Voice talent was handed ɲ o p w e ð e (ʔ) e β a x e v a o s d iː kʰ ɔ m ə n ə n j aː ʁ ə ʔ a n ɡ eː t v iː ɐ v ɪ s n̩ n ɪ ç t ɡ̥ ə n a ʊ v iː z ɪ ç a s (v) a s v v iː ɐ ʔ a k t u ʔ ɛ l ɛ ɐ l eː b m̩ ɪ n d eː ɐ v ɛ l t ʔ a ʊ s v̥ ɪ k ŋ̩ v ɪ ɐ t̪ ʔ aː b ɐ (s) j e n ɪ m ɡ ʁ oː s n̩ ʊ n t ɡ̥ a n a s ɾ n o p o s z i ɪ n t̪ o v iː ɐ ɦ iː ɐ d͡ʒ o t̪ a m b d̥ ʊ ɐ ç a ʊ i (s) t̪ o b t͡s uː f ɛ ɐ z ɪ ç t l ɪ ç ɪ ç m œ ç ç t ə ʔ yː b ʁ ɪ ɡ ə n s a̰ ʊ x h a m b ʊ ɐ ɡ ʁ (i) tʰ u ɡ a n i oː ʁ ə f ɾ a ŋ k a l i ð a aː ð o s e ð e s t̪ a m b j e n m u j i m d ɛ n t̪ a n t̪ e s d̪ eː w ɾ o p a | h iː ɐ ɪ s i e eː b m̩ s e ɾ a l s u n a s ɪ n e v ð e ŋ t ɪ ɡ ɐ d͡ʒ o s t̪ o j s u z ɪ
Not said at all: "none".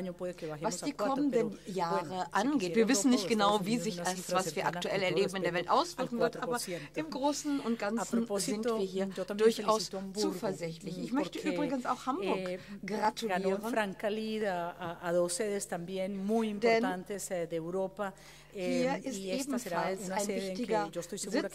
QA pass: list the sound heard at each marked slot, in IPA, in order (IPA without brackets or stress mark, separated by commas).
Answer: k, v, s, s, a